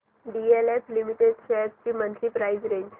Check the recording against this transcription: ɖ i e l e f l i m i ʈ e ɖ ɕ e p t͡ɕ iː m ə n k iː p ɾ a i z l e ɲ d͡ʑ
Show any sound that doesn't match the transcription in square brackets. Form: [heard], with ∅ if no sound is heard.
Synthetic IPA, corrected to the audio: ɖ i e l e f l i m i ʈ e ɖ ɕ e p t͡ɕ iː m ə n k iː p ɾ a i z [ɾ] e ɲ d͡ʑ